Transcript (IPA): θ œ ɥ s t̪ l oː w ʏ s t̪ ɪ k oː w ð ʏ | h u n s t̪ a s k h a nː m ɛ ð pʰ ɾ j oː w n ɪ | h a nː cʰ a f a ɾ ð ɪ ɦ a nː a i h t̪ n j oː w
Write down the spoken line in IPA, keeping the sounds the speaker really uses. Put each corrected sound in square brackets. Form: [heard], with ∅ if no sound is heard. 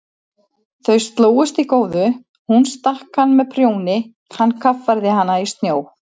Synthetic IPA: θ œ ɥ s t̪ l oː w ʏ s t̪ [i] k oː w ð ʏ | h u n s t̪ a [h] k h a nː m ɛ ð pʰ ɾ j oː w n ɪ | h a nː [kʰ] a f a ɾ ð ɪ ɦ a nː a i [s] t̪ n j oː w